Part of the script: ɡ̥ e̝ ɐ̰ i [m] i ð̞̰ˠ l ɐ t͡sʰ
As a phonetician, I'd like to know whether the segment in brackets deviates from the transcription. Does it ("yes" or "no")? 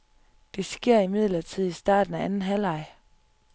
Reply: no